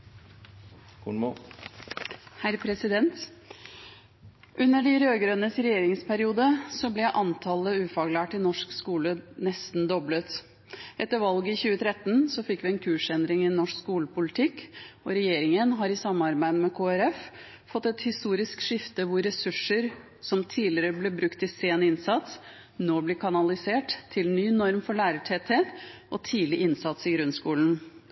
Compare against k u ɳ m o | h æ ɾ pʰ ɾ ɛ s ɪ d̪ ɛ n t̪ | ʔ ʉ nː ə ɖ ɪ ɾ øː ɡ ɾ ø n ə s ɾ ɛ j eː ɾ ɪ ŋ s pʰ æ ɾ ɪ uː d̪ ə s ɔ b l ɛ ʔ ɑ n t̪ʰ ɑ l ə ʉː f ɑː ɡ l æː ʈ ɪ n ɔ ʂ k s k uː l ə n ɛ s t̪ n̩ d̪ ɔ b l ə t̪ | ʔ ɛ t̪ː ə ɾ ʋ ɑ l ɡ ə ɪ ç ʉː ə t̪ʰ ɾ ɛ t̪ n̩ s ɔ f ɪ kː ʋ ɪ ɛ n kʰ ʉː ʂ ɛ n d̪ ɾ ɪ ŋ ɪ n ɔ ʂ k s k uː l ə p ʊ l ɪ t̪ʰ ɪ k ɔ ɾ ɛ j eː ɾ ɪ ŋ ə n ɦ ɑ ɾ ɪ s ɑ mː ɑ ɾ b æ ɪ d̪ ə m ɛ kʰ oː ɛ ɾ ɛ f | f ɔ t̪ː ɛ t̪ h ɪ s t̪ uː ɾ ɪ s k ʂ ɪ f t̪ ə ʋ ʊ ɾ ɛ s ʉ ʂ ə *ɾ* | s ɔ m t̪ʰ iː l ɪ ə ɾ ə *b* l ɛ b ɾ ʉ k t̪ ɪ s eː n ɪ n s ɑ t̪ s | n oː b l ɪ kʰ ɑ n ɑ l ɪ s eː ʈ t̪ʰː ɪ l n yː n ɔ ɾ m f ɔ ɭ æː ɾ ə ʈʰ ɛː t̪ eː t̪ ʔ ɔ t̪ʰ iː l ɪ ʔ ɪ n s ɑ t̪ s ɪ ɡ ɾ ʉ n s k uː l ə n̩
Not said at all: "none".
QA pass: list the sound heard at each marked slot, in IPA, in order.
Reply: ɾ, b

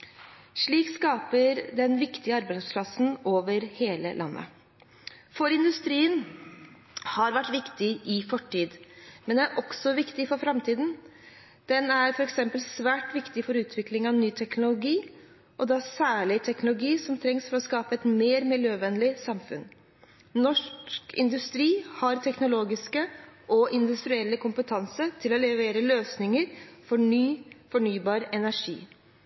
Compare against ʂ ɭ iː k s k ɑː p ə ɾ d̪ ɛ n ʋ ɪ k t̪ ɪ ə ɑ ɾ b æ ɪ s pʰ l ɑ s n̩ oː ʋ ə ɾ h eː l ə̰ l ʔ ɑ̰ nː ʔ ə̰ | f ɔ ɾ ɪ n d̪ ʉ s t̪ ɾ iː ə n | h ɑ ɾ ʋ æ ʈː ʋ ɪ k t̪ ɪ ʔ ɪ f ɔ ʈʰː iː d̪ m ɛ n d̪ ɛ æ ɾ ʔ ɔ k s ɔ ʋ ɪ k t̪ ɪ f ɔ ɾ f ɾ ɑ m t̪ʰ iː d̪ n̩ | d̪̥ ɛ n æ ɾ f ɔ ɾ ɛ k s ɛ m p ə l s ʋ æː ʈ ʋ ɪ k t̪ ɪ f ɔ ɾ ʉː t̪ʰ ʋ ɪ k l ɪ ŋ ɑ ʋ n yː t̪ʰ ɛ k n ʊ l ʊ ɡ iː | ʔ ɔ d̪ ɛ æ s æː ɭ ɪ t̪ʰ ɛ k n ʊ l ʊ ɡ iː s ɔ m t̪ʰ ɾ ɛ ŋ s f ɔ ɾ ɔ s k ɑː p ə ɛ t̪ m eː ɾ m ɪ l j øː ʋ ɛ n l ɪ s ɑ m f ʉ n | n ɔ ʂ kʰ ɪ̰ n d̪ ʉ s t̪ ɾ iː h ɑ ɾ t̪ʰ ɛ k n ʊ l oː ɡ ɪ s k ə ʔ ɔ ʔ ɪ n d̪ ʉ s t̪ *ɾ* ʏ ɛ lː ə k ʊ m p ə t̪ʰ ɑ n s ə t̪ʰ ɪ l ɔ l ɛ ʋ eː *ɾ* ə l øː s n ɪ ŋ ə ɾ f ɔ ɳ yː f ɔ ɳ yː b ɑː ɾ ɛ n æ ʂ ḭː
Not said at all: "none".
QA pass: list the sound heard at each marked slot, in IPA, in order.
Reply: ɾ, ɾ

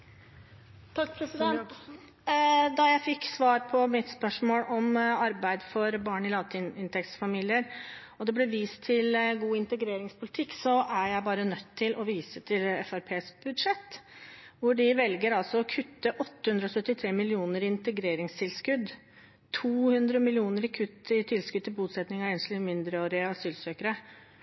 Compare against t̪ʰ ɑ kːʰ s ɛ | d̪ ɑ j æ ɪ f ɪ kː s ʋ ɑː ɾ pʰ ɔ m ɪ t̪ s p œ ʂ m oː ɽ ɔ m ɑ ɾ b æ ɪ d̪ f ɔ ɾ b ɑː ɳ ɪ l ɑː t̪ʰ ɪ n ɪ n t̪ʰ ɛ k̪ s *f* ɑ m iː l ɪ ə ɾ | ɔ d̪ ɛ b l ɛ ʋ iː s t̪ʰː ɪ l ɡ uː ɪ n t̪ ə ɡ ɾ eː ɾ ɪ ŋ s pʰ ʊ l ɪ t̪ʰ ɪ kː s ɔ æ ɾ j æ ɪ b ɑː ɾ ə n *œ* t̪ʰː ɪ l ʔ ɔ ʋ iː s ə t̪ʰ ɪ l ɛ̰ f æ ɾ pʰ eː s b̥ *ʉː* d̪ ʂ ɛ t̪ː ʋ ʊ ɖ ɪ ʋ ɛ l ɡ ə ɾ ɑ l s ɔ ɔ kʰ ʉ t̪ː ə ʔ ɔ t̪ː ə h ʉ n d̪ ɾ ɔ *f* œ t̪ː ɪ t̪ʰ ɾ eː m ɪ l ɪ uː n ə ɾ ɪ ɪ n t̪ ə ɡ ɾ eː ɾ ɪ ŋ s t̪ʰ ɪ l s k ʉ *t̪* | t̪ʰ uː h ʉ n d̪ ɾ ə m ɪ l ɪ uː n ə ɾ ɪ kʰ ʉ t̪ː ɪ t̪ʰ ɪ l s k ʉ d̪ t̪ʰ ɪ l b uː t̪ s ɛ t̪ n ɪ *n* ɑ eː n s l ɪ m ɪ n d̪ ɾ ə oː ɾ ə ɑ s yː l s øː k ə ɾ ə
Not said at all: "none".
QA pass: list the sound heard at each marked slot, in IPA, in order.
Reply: f, œ, ʉ, s, d̪, ŋ

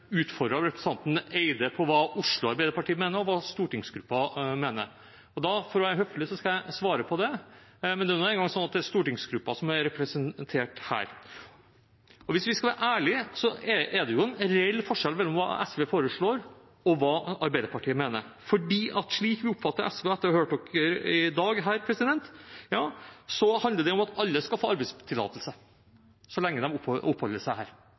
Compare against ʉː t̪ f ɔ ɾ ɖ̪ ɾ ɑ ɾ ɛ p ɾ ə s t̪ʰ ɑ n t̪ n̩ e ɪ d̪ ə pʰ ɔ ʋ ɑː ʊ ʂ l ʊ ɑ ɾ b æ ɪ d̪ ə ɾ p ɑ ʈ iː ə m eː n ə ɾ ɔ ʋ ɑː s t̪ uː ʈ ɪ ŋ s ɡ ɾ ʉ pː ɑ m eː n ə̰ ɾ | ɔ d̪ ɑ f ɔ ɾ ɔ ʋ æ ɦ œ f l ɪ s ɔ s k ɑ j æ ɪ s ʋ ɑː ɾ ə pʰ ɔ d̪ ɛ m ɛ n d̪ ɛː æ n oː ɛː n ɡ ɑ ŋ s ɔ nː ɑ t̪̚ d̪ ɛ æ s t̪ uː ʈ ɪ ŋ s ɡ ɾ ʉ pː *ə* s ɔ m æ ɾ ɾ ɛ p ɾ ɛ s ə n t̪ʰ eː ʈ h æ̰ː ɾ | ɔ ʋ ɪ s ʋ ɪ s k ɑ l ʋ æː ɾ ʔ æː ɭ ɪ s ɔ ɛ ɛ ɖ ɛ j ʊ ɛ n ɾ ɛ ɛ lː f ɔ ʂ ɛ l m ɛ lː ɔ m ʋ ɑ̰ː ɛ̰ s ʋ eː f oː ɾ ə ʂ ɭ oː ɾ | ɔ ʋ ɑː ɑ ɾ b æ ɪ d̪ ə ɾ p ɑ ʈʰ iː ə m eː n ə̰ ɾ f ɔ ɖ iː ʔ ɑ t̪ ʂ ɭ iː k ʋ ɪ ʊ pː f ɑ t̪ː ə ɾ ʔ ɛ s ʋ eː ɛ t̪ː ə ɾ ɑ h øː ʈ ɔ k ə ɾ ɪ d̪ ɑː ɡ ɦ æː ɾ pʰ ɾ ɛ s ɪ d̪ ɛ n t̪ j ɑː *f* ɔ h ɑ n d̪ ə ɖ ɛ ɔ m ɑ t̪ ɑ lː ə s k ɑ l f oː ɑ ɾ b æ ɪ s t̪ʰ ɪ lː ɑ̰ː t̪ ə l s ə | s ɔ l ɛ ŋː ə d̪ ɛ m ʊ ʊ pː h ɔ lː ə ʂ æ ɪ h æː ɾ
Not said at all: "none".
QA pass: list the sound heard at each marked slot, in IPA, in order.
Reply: ɑ, s

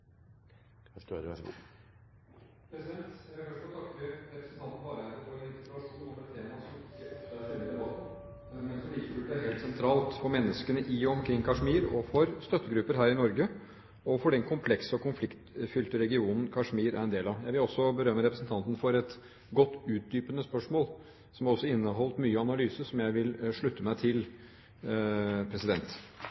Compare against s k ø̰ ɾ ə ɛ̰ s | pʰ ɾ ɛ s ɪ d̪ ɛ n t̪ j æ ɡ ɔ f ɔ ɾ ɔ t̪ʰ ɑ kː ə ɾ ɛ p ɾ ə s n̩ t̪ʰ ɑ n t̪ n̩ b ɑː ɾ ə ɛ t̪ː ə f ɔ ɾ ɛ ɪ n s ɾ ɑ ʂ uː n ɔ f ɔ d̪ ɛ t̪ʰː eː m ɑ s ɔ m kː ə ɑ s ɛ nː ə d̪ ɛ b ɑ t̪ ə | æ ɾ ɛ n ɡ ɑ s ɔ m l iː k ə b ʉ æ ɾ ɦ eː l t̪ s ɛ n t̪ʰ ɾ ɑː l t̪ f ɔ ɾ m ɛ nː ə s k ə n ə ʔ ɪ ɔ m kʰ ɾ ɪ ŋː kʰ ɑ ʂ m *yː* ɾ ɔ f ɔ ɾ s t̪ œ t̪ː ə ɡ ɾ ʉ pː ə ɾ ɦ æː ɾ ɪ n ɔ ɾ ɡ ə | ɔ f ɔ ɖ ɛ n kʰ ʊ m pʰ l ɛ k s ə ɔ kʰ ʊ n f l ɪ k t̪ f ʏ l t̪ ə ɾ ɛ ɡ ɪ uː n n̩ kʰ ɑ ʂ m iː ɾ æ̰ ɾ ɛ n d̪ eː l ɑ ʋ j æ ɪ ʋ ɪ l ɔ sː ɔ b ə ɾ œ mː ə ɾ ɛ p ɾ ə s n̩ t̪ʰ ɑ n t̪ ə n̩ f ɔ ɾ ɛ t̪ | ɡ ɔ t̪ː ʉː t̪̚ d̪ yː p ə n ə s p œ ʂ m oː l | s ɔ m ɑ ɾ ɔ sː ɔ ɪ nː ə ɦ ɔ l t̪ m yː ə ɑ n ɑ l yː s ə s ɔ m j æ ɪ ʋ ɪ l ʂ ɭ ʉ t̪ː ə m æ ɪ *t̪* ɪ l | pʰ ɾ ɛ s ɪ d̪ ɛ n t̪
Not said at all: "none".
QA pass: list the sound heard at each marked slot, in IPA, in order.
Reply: iː, t̪ʰ

